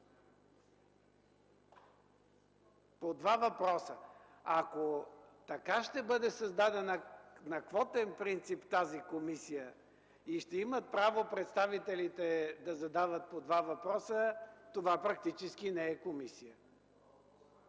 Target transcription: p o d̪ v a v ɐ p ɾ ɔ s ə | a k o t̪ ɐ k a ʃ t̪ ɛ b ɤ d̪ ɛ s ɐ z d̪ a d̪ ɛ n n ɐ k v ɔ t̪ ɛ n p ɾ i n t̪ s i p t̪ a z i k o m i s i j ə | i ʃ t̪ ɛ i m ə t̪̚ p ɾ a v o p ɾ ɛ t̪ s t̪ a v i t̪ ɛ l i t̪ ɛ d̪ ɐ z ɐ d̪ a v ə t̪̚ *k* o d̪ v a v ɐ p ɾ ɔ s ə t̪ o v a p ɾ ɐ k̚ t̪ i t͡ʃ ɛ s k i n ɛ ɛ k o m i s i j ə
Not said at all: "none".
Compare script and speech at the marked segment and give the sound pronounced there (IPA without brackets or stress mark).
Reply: p